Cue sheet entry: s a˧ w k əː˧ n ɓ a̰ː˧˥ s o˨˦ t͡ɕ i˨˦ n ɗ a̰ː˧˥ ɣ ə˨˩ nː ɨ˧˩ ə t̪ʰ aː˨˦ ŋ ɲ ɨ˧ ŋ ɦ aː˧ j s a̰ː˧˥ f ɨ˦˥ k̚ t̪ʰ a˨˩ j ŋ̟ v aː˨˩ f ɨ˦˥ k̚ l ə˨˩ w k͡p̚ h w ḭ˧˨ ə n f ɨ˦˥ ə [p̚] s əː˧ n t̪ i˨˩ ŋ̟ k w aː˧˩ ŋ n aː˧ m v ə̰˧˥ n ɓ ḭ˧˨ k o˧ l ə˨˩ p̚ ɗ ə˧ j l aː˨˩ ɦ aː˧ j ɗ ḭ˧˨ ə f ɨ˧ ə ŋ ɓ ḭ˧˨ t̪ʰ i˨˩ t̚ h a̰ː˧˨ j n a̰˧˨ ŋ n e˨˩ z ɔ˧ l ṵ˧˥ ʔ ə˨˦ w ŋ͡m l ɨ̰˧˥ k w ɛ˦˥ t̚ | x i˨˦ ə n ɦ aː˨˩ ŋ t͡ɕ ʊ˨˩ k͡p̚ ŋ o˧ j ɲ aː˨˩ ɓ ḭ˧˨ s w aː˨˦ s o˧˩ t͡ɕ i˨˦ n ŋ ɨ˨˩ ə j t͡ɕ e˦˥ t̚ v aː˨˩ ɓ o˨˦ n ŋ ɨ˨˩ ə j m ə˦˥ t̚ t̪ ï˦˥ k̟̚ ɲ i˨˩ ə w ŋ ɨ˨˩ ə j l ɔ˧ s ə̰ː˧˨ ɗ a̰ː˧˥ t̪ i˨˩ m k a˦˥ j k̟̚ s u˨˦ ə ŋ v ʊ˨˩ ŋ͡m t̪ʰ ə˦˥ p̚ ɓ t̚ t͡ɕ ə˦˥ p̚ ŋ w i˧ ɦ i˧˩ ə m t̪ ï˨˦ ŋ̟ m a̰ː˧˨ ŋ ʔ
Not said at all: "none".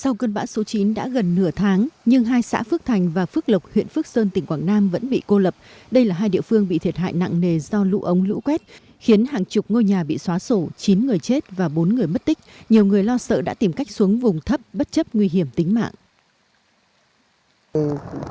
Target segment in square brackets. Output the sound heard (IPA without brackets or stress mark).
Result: k̚